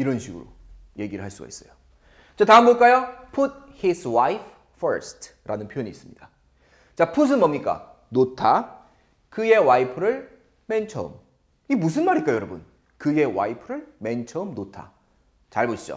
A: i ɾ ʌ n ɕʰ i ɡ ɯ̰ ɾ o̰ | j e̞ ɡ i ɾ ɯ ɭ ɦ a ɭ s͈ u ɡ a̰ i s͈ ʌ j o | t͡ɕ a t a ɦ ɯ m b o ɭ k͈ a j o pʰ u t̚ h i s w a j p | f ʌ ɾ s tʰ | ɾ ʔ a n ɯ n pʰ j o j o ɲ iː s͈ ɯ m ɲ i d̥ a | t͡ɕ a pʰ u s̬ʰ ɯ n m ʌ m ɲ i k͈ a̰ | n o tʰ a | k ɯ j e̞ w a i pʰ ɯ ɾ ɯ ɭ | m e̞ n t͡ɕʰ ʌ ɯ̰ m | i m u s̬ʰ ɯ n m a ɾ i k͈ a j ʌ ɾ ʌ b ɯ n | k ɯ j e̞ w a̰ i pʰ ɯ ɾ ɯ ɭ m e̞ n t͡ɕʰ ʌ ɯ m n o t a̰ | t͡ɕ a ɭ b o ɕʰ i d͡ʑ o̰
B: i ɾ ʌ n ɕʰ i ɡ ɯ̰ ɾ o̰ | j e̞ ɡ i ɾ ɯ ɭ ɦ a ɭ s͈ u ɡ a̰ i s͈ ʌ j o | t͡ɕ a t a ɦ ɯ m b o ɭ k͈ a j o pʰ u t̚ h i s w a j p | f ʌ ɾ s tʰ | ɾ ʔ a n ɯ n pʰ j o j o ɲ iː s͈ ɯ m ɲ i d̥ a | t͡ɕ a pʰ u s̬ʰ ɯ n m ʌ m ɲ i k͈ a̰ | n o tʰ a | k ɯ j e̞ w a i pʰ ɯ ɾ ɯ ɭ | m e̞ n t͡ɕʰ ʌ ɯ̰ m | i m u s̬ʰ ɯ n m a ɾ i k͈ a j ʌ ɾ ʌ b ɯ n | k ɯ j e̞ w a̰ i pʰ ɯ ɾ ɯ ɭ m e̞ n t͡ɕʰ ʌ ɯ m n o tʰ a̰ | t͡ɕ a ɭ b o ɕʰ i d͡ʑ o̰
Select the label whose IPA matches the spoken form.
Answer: B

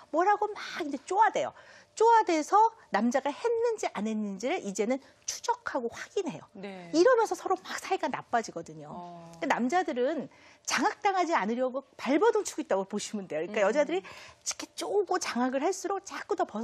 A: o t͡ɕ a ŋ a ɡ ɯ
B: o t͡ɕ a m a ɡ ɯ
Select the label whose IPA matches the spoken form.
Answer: A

